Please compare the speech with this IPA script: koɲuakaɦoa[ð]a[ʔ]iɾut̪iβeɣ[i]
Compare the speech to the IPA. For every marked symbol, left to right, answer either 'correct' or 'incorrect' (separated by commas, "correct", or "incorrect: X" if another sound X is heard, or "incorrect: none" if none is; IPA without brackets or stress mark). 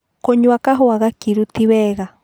incorrect: ɣ, incorrect: k, incorrect: a